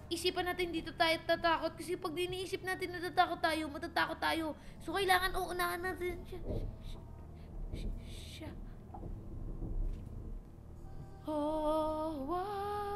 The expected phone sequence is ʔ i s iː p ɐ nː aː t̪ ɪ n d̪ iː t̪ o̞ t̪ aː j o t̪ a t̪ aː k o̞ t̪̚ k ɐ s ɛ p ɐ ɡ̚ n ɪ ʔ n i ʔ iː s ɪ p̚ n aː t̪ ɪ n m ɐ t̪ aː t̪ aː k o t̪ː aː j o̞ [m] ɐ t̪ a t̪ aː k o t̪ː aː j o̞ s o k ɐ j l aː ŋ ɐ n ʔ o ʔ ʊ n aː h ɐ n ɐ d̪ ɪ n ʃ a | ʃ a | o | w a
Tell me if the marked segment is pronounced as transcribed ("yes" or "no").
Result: yes